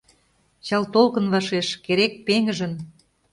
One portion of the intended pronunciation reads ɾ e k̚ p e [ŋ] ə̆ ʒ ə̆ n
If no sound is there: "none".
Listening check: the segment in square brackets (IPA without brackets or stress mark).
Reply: ŋ